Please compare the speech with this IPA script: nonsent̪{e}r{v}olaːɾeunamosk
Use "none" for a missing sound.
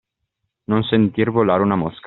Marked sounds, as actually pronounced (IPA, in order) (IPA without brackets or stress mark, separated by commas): i, v